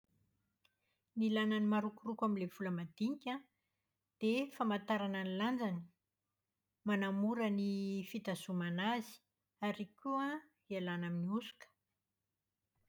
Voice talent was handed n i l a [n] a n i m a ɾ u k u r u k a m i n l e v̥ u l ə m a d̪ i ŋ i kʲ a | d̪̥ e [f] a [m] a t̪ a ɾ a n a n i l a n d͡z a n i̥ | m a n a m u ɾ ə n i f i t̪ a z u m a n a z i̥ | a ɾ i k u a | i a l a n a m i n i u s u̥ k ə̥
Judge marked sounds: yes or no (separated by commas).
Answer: yes, yes, yes